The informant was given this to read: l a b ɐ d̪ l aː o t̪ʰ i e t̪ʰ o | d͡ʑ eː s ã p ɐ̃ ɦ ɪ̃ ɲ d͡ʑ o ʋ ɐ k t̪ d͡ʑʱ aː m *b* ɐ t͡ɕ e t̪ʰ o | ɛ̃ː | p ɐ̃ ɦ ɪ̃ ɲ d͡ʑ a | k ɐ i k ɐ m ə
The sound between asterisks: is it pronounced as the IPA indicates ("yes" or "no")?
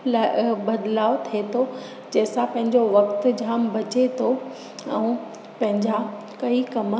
yes